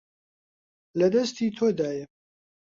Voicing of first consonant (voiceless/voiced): voiced